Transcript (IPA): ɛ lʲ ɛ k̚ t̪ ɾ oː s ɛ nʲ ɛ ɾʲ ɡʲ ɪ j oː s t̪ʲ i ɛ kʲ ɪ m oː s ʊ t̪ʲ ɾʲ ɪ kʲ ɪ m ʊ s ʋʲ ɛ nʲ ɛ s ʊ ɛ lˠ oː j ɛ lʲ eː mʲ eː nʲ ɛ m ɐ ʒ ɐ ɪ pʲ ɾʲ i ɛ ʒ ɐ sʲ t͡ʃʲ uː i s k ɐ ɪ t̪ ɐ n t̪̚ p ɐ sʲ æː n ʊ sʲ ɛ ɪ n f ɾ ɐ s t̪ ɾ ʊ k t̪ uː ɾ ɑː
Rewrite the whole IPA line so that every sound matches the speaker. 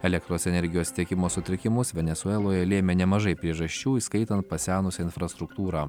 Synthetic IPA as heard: ɛ lʲ ɛ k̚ t̪ ɾ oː s ɛ nʲ ɛ ɾʲ ɡʲ ɪ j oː s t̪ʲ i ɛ kʲ ɪ m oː s ʊ t̪ʲ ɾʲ ɪ kʲ ɪ m ʊ s ʋʲ ɛ nʲ ɛ s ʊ ɛ lˠ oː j ɛ lʲ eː mʲ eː nʲ ɛ m ɐ ʒ ɐ ɪ pʲ ɾʲ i ɛ ʒ ɐ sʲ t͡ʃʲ uː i s k ɐ ɪ t̪ ɐ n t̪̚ p ɐ sʲ æː n ʊ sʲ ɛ ɪ n f ɾ ɐ s t̪ ɾ ʊ k t̪ uː ɾ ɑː